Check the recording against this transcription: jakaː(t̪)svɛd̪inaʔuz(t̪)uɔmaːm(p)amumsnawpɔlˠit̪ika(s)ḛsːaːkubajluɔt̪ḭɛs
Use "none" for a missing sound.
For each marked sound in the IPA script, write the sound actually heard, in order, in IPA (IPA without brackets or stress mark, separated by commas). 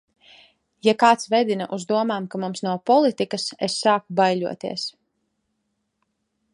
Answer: t̪, d̪, k, s